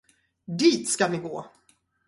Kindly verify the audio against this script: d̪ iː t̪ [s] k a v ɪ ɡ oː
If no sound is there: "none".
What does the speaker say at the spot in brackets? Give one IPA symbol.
s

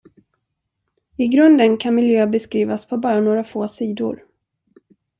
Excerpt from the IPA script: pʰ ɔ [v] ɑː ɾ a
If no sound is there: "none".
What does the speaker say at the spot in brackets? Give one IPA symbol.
b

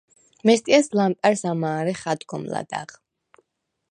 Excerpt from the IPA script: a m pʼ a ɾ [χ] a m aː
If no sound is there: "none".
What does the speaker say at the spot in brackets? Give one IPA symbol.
s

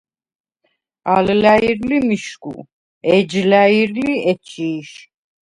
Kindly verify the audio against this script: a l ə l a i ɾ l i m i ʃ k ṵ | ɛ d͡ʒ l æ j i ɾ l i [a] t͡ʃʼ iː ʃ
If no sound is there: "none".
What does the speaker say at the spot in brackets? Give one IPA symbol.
ɛ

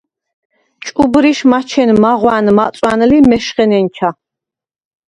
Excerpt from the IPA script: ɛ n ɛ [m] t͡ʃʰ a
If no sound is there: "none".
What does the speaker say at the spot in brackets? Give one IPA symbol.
n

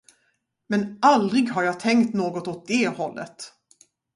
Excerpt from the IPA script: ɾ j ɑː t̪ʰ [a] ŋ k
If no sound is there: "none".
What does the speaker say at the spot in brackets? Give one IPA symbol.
ɛ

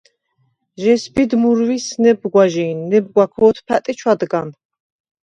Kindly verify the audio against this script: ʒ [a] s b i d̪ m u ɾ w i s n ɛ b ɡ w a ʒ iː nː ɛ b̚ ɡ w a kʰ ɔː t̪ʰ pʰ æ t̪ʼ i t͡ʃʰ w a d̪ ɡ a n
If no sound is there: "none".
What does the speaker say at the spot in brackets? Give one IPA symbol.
ɛ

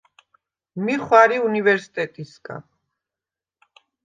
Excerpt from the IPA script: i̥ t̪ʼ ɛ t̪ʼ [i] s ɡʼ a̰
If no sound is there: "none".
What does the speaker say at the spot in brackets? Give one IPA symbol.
i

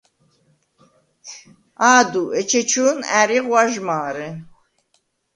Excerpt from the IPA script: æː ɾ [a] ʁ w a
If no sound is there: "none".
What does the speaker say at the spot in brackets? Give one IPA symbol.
i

